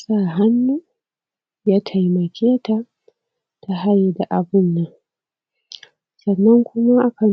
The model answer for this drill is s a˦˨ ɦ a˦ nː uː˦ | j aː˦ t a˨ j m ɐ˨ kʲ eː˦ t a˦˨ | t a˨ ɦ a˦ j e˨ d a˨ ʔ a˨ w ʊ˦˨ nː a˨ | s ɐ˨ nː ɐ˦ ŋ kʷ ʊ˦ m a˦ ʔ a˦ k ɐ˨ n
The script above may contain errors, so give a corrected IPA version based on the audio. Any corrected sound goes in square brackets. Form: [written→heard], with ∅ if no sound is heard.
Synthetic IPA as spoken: s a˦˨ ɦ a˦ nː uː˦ | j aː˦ [t→tʰ] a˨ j m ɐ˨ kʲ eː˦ t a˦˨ | t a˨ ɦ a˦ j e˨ d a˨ ʔ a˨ [w→b] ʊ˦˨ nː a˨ | s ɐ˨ nː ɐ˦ ŋ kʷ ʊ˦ m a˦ ʔ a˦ k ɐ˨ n